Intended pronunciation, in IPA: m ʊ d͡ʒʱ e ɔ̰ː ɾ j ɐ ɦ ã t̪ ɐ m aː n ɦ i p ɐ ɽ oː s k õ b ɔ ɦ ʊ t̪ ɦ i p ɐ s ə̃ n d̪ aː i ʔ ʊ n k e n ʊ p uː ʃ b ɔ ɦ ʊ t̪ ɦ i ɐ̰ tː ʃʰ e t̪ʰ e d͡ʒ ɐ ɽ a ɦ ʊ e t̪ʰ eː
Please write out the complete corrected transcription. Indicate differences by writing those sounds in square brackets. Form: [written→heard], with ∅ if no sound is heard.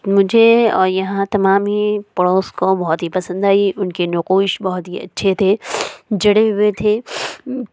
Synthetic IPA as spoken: m ʊ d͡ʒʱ e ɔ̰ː ɾ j ɐ ɦ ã t̪ ɐ m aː [n→m] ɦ i p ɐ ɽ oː s k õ b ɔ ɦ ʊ t̪ ɦ i p ɐ s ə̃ n d̪ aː i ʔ ʊ n k e n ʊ [p→q] uː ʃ b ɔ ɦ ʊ t̪ ɦ i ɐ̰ tː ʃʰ e t̪ʰ e d͡ʒ ɐ ɽ [a→e] ɦ ʊ e t̪ʰ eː